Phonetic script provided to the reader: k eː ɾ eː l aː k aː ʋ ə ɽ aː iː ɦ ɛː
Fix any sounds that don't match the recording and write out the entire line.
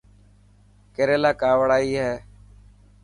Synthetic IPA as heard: k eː ɾ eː l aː k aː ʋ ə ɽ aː iː ɦ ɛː